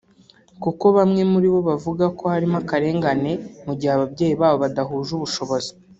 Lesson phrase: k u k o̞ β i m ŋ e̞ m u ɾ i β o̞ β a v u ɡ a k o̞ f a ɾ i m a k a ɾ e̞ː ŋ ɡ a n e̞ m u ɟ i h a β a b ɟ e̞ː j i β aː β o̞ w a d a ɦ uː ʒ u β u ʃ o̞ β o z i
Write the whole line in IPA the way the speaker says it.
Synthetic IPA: k u k o̞ β a m ŋ e̞ m u ɾ i β o̞ β a v u ɡ a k o̞ h a ɾ i m a k a ɾ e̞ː ŋ ɡ a n e̞ m u ɟ i h a β a b ɟ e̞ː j i β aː β o̞ β a d a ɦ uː ʒ u β u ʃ o̞ β o z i